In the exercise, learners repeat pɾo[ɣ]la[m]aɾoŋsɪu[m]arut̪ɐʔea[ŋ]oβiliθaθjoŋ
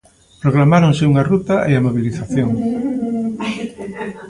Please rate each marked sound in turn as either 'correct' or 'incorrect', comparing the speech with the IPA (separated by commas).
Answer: correct, correct, incorrect, incorrect